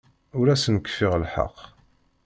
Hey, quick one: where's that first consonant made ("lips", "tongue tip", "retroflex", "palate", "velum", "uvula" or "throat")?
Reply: tongue tip